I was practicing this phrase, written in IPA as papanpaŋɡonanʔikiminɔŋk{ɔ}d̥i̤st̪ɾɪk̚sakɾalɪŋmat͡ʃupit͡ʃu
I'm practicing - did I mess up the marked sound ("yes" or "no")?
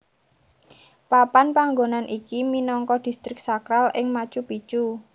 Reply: no